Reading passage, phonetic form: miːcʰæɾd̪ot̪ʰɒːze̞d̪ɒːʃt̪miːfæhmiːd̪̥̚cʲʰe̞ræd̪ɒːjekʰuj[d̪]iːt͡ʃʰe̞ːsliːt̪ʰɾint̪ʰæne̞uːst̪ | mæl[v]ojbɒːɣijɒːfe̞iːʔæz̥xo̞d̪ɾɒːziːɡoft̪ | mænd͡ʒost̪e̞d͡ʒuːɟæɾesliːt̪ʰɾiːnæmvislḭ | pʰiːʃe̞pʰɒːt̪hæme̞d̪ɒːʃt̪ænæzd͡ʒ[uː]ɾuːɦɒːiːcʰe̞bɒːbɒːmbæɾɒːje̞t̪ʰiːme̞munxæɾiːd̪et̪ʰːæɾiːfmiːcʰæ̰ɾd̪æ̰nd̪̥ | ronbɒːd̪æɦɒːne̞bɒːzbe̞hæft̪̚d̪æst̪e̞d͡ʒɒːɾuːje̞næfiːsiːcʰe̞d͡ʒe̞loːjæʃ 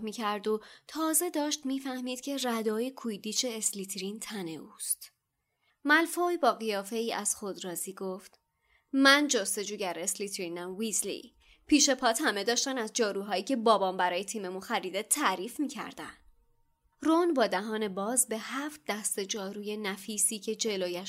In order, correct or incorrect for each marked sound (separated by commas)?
correct, incorrect, incorrect